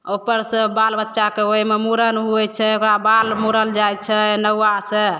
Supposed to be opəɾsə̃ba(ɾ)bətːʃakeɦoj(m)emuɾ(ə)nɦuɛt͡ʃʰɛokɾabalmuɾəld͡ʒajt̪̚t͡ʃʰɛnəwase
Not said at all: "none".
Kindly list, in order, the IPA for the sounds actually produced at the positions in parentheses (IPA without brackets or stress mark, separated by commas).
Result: l, m, ə